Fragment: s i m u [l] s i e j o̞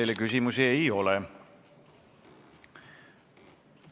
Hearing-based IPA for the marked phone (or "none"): none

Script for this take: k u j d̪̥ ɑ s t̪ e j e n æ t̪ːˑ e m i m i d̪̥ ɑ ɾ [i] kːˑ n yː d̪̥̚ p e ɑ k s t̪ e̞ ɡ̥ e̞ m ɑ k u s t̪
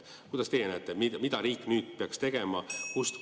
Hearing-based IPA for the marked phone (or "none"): iː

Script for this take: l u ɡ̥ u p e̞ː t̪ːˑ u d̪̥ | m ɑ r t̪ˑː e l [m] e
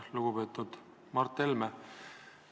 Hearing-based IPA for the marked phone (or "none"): m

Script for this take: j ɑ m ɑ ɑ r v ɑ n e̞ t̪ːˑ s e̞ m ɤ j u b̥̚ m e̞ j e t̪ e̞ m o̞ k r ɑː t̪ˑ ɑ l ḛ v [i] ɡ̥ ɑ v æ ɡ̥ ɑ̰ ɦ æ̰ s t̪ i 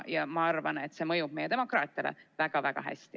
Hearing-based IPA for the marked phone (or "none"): æ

